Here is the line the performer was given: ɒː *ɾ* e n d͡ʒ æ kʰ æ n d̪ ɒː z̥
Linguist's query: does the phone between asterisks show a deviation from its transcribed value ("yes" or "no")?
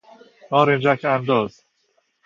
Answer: no